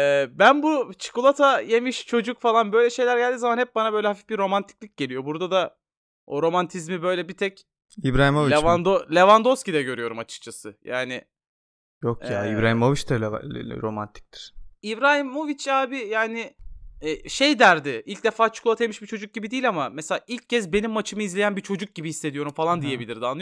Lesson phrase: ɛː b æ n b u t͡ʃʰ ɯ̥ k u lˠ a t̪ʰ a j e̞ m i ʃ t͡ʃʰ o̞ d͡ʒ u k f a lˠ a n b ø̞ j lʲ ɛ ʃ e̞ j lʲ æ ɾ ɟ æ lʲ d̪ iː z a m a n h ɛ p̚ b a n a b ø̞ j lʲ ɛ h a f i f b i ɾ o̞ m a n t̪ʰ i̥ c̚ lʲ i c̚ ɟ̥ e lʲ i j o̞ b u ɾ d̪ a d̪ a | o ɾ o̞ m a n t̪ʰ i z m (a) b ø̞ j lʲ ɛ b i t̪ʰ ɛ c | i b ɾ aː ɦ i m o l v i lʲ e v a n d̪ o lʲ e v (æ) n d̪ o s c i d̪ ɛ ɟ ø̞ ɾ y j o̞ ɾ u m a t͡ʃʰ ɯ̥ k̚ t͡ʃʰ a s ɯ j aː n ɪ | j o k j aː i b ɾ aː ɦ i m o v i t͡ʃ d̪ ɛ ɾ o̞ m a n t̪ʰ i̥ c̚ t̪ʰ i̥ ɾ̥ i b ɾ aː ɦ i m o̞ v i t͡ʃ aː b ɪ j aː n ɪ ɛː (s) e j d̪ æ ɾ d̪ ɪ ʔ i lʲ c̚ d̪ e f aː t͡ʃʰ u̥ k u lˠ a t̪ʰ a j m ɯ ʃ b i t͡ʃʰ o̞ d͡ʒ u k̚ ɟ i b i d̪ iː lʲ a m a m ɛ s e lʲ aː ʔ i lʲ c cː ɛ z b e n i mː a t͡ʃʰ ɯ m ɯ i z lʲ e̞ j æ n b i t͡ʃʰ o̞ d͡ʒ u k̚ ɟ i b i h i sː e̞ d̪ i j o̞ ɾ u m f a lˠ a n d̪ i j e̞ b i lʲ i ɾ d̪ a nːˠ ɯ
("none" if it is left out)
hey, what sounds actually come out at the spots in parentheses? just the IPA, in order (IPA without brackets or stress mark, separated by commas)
i, a, ʃ